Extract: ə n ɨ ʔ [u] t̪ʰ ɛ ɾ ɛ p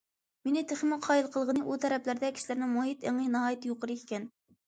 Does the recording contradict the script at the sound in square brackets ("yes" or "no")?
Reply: no